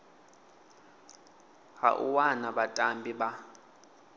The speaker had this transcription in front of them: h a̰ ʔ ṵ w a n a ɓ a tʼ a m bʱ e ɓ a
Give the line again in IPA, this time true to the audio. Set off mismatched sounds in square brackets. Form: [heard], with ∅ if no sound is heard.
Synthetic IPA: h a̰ ʔ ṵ w a n a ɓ a tʼ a m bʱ [i] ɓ a